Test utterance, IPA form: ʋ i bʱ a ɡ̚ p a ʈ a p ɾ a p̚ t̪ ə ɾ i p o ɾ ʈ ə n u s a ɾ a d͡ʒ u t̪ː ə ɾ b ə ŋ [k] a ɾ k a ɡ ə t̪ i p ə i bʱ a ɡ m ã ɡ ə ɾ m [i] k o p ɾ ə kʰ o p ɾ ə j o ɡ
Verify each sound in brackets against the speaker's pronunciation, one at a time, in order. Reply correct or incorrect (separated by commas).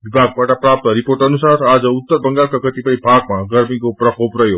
incorrect, correct